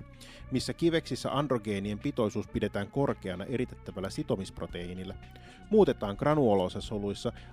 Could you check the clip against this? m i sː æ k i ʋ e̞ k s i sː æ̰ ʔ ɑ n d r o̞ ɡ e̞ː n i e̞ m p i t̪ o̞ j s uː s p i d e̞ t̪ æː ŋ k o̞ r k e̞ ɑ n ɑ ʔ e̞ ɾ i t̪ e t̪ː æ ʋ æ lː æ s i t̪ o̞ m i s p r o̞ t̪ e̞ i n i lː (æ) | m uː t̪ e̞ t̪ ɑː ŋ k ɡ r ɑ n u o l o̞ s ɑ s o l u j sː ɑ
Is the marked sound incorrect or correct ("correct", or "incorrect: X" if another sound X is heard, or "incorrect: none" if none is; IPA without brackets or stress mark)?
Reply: correct